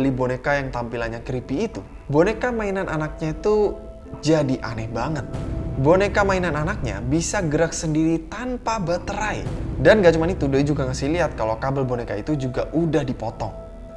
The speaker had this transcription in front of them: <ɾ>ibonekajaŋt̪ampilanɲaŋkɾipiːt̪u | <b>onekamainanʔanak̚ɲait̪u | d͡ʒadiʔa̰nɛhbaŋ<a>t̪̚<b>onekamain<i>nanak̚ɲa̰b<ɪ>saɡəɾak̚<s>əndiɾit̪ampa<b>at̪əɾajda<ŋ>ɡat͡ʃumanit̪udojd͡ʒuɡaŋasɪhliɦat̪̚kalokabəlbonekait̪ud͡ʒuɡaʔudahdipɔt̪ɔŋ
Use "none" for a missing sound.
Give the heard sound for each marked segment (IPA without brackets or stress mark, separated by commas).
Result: l, b, ə, b, a, i, s, b, n